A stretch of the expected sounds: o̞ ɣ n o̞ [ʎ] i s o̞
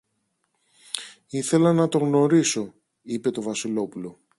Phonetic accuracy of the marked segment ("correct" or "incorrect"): incorrect